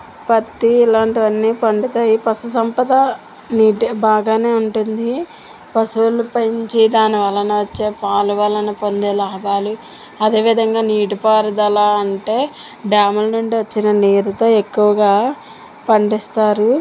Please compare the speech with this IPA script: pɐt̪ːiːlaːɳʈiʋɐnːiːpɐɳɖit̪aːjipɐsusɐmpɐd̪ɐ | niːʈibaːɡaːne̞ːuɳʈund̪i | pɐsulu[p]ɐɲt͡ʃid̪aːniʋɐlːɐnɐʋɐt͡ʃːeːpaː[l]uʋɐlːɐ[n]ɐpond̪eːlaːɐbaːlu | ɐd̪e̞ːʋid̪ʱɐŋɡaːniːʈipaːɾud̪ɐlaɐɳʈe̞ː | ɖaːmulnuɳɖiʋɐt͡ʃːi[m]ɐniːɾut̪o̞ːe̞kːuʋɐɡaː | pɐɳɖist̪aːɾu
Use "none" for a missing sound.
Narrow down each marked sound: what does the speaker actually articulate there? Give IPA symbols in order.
p, l, n, n

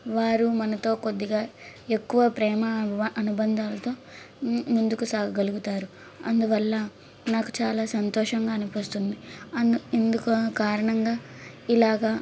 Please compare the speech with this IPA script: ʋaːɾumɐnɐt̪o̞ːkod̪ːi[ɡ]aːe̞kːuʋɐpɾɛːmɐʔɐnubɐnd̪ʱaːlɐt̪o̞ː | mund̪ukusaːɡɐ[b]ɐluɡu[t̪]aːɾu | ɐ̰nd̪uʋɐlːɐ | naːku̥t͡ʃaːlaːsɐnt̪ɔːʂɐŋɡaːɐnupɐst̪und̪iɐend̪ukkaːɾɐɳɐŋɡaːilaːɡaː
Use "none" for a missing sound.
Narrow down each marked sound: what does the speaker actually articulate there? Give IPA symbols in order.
ɡ, ɡ, t̪

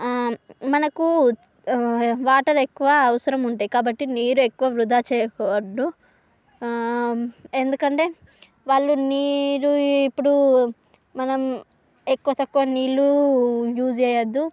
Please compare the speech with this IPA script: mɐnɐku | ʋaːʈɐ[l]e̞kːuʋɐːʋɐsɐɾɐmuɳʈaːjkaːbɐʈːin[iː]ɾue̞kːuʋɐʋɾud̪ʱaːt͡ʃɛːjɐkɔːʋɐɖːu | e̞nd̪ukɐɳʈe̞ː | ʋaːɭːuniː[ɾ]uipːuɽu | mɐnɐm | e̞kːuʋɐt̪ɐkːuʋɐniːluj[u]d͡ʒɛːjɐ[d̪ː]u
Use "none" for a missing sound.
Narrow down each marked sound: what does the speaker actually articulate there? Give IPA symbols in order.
ɾ, iː, ɾ, uː, d̪ː

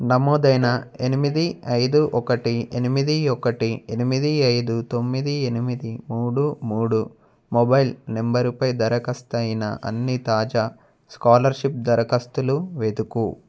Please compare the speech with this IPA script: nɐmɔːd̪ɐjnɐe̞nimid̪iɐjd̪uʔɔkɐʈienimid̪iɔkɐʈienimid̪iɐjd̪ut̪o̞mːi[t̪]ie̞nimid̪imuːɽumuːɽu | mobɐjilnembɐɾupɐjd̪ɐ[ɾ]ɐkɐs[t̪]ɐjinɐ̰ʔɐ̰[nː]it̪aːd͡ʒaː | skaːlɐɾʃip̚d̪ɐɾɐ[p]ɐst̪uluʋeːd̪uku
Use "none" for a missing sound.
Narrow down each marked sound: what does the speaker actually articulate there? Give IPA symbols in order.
d̪, ɾ, t̪, nː, k

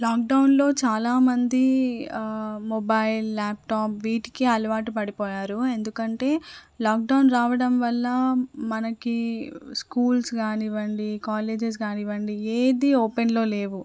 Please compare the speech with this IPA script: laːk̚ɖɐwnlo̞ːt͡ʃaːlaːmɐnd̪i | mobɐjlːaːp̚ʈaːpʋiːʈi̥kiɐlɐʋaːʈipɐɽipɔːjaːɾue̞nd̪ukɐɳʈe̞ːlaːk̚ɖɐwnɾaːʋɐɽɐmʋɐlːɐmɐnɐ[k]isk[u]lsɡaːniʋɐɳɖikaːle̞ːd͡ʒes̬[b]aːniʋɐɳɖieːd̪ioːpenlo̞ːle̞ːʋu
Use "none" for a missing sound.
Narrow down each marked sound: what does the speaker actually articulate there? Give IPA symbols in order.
k, uː, ɡ

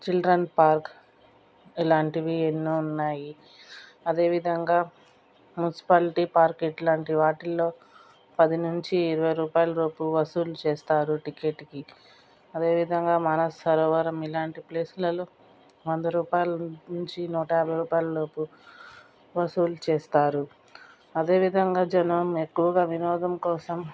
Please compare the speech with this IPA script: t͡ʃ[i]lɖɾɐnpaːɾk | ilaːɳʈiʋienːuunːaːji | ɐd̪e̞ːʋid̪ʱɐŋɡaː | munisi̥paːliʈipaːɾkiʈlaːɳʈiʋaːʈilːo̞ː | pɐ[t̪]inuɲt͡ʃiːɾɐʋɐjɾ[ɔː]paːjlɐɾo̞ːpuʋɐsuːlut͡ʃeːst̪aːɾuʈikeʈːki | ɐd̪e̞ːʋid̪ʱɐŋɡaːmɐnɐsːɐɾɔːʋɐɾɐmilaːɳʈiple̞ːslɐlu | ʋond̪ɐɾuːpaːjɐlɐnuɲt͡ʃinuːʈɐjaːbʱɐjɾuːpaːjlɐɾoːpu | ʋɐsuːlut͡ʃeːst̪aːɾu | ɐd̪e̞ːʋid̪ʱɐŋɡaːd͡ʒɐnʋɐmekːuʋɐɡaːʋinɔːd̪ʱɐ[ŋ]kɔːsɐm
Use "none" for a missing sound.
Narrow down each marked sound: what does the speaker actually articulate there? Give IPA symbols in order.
i, d̪, uː, m

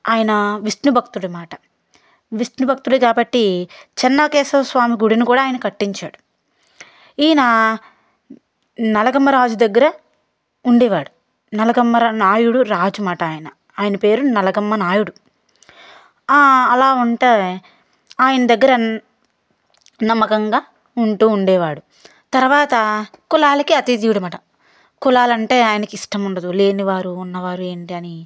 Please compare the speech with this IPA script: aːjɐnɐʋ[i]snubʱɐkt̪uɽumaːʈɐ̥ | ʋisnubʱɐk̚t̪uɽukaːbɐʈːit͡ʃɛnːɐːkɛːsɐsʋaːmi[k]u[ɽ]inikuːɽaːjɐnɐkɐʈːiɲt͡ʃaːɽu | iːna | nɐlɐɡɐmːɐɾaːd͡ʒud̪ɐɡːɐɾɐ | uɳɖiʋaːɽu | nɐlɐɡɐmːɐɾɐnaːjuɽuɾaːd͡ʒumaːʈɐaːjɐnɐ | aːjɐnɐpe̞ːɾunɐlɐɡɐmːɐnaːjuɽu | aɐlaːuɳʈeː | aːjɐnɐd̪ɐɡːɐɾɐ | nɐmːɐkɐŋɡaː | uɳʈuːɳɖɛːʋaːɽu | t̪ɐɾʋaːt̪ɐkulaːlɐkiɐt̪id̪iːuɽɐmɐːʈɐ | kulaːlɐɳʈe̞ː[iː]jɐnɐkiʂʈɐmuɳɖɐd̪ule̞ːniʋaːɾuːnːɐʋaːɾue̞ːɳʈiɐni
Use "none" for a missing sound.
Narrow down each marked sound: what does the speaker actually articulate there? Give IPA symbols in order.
i, ɡ, ɽ, aː

